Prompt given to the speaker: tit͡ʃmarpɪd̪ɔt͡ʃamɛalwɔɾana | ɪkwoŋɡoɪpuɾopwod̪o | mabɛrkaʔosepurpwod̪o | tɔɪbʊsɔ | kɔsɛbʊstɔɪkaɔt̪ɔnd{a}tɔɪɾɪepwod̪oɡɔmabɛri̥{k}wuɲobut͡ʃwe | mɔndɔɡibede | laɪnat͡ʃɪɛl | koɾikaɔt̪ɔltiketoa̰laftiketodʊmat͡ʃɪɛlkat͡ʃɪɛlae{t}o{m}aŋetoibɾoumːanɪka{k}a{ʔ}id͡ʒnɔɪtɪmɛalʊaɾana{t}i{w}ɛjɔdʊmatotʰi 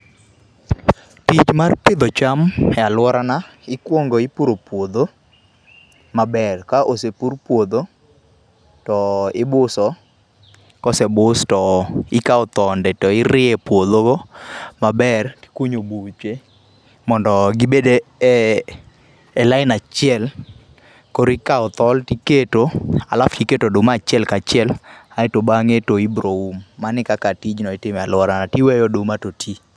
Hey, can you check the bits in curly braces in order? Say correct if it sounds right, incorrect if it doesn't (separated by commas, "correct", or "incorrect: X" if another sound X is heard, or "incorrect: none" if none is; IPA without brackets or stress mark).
incorrect: ɛ, correct, correct, incorrect: b, correct, incorrect: t, correct, correct